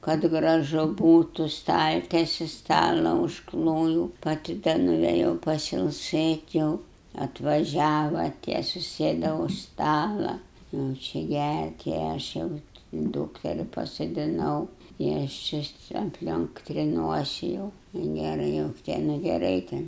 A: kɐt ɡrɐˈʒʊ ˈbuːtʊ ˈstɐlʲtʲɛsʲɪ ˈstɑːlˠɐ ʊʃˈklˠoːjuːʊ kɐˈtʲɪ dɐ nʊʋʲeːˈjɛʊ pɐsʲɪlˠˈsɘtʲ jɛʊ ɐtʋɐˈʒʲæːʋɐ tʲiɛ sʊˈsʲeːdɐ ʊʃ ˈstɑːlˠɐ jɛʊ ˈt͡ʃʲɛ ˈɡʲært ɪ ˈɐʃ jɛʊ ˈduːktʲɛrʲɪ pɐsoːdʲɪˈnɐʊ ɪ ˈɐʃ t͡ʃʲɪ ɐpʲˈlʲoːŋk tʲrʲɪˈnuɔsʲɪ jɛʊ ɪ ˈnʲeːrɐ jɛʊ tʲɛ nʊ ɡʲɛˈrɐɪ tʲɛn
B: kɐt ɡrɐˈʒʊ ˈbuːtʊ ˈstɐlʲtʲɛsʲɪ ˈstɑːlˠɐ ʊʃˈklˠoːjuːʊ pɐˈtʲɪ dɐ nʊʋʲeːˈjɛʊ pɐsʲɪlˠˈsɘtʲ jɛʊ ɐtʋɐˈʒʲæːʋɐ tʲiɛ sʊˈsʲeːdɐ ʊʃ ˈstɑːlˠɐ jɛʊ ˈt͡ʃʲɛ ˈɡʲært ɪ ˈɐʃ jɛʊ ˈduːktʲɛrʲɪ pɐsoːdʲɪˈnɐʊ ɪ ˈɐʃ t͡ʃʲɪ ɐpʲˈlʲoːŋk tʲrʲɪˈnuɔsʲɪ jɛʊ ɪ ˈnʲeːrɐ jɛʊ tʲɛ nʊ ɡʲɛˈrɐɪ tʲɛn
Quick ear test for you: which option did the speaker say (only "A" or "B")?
B